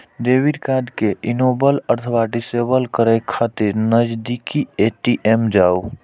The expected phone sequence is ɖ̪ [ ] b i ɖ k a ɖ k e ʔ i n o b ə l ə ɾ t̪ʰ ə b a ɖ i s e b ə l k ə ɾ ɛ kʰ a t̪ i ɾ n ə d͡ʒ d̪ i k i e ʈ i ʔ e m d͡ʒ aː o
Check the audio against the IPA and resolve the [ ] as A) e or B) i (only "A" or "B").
A